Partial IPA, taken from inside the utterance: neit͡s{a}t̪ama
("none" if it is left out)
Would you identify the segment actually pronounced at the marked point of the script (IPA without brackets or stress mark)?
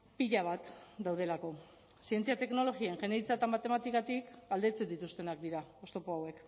a